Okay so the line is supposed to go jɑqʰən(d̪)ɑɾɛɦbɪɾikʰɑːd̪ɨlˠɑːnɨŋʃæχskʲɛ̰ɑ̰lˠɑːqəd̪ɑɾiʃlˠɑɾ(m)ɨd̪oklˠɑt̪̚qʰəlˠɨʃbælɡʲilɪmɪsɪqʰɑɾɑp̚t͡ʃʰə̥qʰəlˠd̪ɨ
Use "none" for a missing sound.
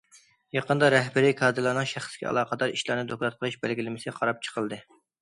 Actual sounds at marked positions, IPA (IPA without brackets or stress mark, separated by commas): d̪, n